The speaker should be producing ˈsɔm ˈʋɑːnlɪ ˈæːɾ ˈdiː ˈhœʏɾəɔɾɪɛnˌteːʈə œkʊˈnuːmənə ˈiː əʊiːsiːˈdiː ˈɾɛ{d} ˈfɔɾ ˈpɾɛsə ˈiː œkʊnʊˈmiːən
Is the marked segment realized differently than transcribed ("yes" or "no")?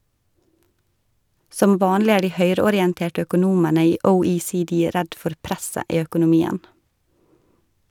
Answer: no